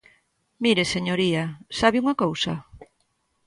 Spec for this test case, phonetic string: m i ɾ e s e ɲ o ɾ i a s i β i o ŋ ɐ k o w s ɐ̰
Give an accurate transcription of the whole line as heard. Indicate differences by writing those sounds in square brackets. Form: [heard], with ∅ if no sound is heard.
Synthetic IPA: m i ɾ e s e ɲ o ɾ i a s [a] β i [u] ŋ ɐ k o w s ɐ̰

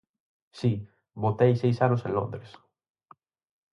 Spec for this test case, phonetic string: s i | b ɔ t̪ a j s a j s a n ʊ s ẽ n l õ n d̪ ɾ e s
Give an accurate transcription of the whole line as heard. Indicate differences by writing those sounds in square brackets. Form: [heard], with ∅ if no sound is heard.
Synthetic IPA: s i | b [o] t̪ [e] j s [e] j s a n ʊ s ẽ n l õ n d̪ ɾ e s

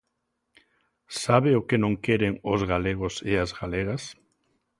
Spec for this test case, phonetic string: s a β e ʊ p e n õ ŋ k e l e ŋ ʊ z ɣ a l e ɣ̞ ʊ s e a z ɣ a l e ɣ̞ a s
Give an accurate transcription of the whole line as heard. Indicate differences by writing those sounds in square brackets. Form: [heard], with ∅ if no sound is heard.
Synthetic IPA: s a β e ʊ [k] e n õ ŋ k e [ɾ] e ŋ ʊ z ɣ a l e ɣ̞ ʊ s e a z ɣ a l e ɣ̞ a s

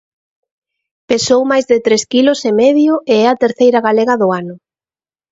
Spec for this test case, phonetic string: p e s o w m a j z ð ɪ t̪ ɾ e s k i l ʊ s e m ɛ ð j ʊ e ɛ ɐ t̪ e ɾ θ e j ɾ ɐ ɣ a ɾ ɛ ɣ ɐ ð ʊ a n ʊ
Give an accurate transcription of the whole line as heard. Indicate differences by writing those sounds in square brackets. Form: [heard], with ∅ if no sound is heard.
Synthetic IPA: p e s o w m a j z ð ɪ t̪ ɾ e s k i l ʊ s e m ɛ ð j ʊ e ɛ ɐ t̪ e ɾ θ e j ɾ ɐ ɣ a [l] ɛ ɣ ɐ ð ʊ a n ʊ

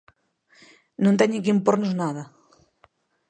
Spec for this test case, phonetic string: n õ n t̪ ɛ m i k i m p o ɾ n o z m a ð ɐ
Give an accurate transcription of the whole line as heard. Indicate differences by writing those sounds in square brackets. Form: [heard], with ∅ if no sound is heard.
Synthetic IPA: n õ n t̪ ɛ [ɲ] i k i m p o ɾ n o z [n] a ð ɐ

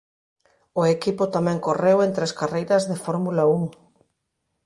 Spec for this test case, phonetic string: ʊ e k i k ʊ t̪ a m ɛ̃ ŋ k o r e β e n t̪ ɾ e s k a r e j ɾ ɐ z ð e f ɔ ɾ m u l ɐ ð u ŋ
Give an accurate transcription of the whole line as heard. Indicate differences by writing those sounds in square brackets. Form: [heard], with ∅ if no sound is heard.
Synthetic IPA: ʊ e k i [p] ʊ t̪ a m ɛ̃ ŋ k o r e [w] e n t̪ ɾ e s k a r e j ɾ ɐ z ð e f ɔ ɾ m u l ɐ [∅] u ŋ

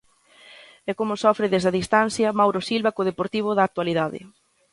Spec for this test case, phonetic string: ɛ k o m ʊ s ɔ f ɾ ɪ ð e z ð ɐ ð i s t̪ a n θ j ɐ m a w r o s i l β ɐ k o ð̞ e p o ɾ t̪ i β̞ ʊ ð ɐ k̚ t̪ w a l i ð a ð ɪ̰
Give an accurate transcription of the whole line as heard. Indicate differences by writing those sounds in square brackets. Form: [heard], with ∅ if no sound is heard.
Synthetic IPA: ɛ k o m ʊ s ɔ f ɾ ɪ ð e z ð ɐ ð i s t̪ a n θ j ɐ m a w [ɾ] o s i l β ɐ k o ð̞ e p o ɾ t̪ i β̞ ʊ ð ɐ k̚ t̪ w a l i ð a ð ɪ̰

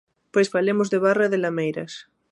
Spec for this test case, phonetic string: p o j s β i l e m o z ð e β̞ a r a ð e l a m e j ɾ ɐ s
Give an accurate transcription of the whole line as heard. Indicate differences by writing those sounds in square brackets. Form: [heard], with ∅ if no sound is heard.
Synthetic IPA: p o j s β [a] l e m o z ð e β̞ a r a ð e l a m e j ɾ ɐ s

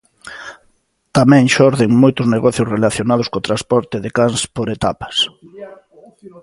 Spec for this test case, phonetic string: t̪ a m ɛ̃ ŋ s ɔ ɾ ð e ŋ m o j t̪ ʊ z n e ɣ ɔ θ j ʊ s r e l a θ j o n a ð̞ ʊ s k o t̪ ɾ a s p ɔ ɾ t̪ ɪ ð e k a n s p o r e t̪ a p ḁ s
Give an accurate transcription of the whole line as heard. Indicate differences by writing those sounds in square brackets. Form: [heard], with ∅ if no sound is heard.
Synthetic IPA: t̪ a m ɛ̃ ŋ [ʃ] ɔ ɾ ð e ŋ m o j t̪ ʊ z n e ɣ ɔ θ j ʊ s r e l a θ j o n a ð̞ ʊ s k o t̪ ɾ a s p ɔ ɾ t̪ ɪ ð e k a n s p o [ɾ] e t̪ a p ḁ s

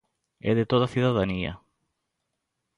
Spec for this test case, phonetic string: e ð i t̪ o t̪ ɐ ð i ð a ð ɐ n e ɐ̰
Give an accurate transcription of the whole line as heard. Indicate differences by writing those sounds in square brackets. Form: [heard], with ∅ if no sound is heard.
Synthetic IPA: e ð [e] t̪ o t̪ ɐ [θ] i ð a ð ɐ n [i] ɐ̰

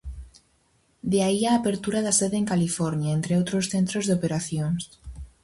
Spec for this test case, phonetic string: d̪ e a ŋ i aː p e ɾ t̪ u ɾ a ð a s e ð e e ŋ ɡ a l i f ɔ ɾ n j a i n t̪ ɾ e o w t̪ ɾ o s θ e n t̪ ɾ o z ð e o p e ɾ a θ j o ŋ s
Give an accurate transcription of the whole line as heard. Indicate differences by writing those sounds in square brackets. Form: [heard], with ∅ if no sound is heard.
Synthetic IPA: d̪ e a [∅] i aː p e ɾ t̪ u ɾ a ð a s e ð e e ŋ [k] a l i f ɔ ɾ n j a [e] n t̪ ɾ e o w t̪ ɾ o s θ e n t̪ ɾ o z ð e o p e ɾ a θ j o ŋ s

